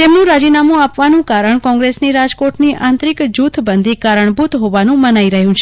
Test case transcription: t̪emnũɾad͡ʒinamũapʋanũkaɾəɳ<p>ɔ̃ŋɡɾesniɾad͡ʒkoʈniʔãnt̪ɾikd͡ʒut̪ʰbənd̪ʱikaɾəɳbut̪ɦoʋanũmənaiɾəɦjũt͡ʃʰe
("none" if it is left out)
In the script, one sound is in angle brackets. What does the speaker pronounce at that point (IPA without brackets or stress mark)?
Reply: k